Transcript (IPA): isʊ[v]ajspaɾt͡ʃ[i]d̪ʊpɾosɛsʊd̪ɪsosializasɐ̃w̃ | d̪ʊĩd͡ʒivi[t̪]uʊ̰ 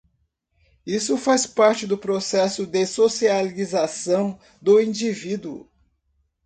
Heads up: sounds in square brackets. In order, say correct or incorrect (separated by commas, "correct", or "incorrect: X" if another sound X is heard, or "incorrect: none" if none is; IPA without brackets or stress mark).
incorrect: f, incorrect: ɪ, incorrect: d̪